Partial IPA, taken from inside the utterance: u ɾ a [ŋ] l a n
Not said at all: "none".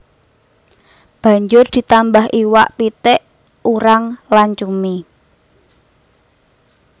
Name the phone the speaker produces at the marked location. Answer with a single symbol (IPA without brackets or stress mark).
ŋ